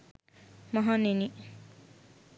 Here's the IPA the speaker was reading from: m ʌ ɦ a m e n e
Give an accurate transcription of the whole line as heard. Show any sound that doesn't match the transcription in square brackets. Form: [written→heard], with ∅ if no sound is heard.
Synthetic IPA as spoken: m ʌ ɦ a [m→n] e n [e→i]